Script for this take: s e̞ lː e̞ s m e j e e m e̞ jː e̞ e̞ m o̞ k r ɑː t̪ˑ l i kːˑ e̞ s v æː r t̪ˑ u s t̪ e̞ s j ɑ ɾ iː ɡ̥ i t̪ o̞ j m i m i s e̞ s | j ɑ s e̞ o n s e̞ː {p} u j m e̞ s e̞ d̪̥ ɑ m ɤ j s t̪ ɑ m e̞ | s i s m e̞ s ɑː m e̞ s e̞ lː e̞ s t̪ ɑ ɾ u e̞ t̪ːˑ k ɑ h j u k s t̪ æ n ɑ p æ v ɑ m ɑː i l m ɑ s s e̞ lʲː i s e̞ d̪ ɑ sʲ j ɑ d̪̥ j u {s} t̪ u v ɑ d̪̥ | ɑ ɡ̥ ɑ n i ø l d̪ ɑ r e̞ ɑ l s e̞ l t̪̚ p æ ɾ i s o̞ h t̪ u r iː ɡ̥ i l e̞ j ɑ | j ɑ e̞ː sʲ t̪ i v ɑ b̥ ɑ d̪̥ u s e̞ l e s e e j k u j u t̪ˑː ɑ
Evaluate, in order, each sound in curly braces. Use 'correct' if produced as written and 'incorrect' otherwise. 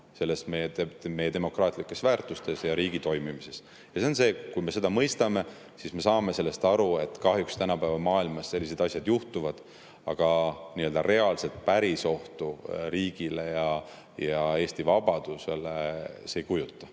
incorrect: k, incorrect: h

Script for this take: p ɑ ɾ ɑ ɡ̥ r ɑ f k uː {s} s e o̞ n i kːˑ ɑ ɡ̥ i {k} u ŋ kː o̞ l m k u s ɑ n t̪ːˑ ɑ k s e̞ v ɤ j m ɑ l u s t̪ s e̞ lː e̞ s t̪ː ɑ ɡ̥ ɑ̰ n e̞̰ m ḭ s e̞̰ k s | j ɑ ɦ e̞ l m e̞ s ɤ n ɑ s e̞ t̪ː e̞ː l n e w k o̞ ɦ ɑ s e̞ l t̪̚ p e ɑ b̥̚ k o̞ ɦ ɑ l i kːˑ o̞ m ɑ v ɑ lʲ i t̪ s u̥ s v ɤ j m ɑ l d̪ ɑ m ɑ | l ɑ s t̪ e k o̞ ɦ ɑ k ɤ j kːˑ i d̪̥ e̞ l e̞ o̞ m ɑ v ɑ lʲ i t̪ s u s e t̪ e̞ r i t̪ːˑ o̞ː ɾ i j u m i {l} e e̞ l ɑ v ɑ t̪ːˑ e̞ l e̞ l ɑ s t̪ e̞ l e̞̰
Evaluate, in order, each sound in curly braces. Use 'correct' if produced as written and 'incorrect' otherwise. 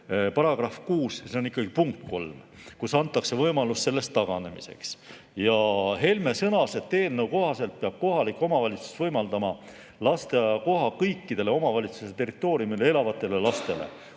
correct, incorrect: p, correct

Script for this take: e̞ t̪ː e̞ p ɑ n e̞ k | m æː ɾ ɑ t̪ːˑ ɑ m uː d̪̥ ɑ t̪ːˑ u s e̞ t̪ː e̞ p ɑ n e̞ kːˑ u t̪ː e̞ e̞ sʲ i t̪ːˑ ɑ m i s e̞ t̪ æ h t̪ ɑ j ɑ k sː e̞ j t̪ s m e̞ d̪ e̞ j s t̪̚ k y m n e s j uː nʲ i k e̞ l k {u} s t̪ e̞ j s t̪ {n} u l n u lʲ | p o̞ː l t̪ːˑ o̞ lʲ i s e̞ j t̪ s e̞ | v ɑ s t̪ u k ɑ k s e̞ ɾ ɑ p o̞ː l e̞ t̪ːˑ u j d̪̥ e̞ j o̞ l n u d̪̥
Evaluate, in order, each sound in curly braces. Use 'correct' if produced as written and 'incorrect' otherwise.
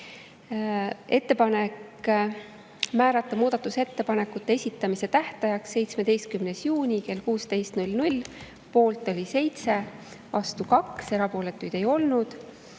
incorrect: uː, correct

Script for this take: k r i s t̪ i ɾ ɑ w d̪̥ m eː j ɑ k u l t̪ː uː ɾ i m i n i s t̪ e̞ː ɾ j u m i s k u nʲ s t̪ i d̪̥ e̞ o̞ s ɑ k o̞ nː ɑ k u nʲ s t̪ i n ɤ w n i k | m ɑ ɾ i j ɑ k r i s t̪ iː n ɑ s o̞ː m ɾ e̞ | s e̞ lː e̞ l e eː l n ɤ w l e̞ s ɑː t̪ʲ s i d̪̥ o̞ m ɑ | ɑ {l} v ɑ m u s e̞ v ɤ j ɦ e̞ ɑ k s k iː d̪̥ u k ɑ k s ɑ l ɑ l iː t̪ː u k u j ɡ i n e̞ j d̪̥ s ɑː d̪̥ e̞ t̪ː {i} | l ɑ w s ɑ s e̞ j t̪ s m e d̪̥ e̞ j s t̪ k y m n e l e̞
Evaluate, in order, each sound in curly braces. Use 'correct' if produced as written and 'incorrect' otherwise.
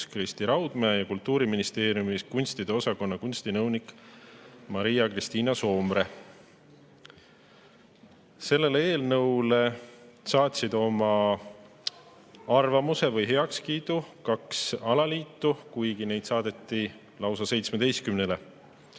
incorrect: r, correct

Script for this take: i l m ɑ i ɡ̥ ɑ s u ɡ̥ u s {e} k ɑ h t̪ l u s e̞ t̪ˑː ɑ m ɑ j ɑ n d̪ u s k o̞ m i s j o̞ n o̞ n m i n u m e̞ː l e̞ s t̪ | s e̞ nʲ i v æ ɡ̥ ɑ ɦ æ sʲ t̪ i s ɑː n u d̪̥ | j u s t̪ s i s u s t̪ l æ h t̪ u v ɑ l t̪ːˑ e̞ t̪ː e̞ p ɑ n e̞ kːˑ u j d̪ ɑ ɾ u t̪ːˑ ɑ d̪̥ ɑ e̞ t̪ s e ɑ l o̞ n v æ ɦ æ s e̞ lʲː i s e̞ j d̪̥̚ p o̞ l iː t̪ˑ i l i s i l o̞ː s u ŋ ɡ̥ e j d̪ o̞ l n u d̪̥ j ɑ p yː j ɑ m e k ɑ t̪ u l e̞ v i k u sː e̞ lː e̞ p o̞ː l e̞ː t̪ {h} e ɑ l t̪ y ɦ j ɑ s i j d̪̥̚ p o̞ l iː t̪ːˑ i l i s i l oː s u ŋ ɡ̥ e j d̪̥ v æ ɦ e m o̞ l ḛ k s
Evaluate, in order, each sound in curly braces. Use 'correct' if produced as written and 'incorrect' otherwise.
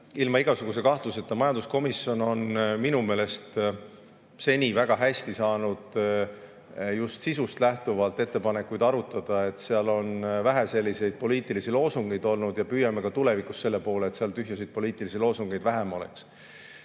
correct, incorrect: s

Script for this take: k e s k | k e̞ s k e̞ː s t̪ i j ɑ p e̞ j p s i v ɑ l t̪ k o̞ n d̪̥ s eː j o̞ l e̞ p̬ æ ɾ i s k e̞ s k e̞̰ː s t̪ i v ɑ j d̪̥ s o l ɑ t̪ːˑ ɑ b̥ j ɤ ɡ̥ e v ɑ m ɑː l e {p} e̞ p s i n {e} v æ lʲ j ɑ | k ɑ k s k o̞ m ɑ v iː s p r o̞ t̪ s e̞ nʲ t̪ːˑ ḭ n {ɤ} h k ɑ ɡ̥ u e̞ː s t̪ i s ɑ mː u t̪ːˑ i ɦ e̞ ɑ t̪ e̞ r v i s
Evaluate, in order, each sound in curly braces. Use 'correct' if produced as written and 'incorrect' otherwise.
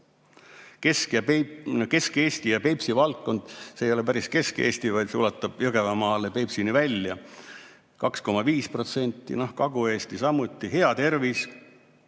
correct, incorrect: i, incorrect: o

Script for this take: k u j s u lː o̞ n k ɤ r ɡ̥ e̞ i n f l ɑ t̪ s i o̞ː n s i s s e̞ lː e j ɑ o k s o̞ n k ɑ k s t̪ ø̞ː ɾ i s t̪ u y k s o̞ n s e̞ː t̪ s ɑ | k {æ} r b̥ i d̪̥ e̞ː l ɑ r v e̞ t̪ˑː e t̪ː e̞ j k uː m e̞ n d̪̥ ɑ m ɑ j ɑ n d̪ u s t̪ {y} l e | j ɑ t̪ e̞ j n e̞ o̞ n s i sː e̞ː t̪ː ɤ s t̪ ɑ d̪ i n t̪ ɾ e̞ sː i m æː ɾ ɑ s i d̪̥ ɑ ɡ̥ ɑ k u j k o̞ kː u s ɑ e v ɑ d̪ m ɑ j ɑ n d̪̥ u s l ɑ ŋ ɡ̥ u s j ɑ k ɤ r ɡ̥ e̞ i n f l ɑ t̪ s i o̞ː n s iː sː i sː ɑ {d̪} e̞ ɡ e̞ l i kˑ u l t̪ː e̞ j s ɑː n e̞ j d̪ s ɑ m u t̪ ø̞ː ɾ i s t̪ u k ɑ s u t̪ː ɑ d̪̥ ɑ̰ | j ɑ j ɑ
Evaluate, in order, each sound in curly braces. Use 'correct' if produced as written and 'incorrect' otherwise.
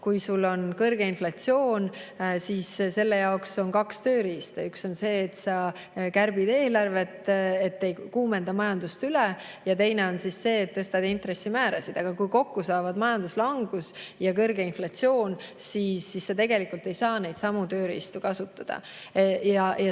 correct, correct, incorrect: t̪

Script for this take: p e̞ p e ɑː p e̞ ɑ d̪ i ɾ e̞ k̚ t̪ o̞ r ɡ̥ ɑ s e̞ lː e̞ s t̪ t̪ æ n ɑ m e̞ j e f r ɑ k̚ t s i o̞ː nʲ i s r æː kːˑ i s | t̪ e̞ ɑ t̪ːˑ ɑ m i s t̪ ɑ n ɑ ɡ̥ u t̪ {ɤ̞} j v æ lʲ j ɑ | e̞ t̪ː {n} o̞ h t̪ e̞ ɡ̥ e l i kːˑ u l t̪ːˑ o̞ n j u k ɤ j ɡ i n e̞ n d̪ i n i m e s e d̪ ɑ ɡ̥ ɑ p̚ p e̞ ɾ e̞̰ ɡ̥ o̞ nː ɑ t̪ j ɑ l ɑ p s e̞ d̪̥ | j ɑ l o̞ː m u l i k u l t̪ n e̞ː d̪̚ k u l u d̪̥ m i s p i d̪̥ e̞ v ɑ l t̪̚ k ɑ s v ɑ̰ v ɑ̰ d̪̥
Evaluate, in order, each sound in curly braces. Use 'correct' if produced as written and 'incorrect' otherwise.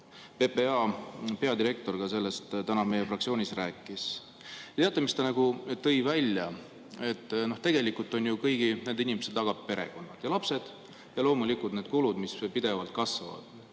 correct, correct

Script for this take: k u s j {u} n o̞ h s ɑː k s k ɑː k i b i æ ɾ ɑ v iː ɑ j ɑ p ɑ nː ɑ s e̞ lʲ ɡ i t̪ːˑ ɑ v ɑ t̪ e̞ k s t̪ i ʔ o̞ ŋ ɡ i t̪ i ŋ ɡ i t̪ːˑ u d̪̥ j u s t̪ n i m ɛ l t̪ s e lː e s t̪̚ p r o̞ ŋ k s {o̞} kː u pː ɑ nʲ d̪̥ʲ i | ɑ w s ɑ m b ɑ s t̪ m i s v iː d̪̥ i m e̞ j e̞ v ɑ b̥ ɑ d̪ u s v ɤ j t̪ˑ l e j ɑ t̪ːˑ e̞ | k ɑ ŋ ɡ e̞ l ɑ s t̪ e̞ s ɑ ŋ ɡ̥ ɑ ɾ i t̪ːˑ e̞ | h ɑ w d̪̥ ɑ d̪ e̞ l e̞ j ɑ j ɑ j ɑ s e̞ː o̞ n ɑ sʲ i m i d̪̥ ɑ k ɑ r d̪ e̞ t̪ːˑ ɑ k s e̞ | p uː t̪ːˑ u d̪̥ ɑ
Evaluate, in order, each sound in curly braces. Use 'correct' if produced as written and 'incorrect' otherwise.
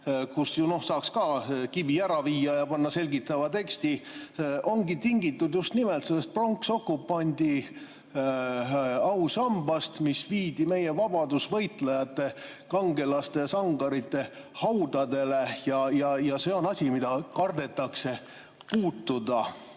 correct, correct

